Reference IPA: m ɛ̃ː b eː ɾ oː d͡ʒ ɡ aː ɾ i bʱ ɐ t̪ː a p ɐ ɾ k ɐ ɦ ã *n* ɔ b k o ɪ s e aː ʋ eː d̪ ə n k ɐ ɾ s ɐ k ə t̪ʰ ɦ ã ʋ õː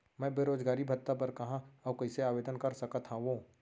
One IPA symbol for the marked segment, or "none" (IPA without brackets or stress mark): none